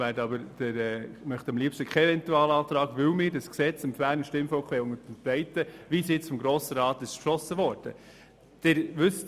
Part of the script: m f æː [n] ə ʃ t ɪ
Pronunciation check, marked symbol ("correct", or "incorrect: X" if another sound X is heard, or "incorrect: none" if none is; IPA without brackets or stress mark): correct